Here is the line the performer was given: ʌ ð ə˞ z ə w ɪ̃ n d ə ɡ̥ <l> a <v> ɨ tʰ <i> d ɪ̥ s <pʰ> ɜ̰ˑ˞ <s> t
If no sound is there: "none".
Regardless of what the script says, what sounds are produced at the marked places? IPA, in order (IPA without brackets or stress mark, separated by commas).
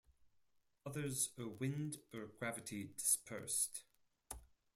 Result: ɹ, v, i, pʰ, s